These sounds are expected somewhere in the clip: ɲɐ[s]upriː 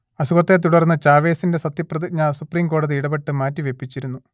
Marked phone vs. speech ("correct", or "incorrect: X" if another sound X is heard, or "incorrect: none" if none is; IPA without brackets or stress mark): correct